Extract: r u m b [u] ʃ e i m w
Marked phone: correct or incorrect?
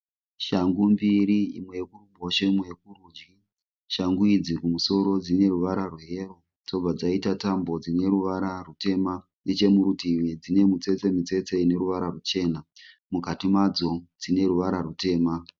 incorrect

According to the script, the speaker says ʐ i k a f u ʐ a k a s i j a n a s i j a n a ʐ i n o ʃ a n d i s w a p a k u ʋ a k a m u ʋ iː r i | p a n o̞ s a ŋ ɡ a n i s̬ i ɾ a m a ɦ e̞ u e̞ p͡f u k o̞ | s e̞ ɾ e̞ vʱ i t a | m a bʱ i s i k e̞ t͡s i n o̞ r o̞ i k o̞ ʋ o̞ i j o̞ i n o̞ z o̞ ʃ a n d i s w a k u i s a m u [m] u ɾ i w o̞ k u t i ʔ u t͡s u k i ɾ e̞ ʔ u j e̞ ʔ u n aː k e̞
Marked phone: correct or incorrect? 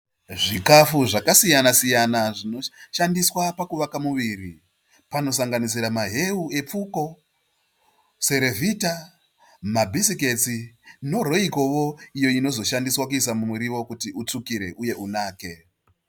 correct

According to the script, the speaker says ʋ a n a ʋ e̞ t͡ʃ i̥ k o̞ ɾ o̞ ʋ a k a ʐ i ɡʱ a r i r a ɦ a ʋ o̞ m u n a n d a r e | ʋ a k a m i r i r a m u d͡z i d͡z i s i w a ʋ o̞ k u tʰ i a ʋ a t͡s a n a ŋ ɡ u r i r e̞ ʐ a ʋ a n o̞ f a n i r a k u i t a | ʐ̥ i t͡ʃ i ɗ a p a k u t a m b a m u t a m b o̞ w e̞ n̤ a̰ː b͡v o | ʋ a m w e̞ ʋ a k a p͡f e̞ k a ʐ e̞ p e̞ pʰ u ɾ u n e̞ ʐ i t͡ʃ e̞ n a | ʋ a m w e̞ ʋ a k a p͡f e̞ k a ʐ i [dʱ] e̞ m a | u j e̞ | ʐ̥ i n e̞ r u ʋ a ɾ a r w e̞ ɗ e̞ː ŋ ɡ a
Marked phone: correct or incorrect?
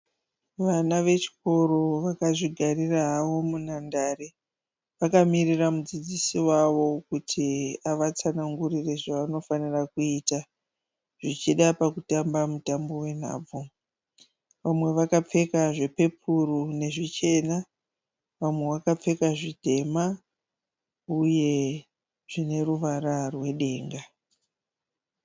correct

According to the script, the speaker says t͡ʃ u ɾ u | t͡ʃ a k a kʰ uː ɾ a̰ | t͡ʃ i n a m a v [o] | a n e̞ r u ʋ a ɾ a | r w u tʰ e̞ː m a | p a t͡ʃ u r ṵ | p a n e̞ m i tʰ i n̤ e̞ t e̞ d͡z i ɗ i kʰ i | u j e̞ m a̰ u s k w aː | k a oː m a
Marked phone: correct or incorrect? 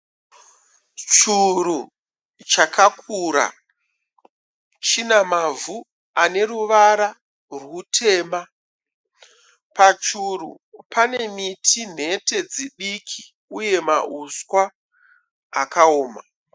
incorrect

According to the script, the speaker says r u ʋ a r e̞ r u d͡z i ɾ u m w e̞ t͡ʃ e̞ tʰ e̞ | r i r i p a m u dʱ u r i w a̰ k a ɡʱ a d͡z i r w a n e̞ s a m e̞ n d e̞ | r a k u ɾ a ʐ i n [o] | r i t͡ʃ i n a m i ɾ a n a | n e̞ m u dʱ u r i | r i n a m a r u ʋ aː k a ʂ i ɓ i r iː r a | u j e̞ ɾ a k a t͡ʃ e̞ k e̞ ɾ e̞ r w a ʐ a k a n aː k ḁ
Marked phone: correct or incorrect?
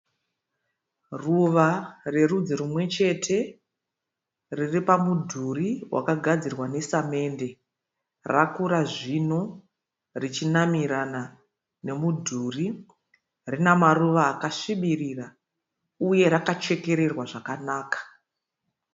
correct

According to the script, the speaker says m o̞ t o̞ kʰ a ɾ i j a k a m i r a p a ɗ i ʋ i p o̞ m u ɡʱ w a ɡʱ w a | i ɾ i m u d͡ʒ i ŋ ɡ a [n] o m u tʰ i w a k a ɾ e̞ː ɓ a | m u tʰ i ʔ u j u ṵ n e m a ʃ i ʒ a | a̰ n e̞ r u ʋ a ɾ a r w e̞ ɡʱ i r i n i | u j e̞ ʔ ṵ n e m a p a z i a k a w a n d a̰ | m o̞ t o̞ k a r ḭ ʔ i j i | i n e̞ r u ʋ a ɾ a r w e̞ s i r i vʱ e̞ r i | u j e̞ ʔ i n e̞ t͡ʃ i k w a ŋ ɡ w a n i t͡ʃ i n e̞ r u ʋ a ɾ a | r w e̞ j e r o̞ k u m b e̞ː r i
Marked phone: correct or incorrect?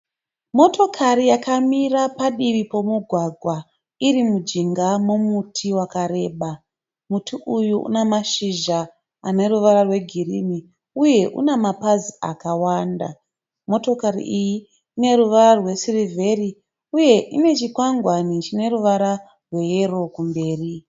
incorrect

